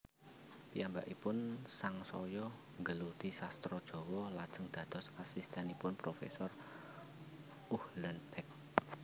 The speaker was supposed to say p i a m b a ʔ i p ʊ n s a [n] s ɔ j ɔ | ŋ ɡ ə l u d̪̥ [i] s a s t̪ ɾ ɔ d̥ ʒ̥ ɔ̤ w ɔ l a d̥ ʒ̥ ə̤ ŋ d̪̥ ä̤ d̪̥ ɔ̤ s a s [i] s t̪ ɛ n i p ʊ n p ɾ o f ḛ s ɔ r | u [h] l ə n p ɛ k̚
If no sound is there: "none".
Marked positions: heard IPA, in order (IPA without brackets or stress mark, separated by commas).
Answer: ŋ, i, i, h